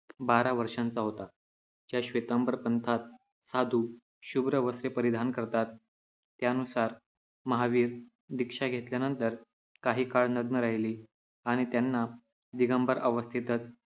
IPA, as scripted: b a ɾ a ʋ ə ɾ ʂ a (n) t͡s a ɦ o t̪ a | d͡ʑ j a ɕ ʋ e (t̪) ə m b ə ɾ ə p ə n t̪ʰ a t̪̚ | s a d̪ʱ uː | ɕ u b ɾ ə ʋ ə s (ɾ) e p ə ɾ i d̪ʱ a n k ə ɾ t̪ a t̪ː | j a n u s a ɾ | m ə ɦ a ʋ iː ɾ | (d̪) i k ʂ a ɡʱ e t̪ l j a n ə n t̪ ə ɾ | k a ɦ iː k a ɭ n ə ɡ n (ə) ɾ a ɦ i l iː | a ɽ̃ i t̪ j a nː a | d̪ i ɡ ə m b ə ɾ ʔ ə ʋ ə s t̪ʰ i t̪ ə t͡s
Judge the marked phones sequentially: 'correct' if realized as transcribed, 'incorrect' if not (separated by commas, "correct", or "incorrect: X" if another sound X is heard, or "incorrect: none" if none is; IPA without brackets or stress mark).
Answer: correct, correct, correct, correct, correct